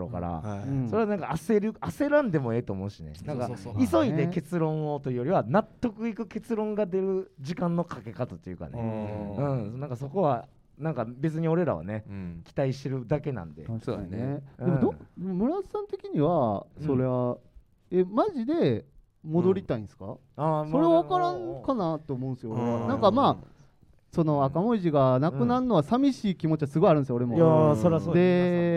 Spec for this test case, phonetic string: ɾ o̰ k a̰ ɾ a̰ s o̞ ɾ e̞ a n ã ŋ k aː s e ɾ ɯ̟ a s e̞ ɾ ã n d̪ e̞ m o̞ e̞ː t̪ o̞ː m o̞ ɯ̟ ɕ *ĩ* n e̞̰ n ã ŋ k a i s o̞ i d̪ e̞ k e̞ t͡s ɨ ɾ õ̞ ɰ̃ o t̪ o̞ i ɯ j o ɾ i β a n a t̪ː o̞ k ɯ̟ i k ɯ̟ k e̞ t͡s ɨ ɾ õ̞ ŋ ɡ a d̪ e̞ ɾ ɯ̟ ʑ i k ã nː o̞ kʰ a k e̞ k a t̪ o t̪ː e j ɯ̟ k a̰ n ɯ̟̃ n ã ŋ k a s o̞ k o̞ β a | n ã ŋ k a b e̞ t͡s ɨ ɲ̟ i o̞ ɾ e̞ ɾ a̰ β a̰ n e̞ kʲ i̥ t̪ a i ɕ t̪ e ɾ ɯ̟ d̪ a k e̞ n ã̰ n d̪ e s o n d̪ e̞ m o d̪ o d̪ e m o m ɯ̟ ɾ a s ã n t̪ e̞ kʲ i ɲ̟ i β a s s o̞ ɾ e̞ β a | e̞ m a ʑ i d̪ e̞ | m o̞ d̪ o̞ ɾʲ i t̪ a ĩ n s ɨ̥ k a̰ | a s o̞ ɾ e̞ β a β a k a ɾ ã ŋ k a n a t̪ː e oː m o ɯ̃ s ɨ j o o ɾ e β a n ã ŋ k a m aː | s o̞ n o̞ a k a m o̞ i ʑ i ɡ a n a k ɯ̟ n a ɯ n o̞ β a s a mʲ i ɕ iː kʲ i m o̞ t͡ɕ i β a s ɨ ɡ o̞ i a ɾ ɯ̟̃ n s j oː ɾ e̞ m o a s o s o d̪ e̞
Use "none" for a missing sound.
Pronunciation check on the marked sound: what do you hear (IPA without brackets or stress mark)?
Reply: i